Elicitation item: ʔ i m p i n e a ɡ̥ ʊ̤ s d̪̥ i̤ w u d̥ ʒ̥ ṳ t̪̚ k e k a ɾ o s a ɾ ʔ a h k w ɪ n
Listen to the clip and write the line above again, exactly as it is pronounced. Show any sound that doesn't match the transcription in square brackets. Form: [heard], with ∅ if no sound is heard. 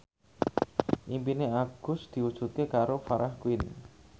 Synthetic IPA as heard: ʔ i m p i n e a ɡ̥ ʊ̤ s d̪̥ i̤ w u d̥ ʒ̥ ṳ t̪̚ k e k a ɾ o [f] a ɾ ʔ a h k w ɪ n